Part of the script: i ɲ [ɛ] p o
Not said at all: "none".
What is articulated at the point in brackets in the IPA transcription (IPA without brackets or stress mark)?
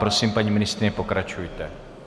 ɛ